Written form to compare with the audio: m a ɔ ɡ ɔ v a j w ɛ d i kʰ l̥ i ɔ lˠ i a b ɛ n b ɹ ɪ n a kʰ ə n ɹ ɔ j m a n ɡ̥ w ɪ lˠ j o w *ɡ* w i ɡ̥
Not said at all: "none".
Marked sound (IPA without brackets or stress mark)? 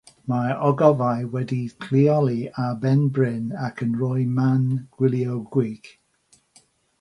ɡ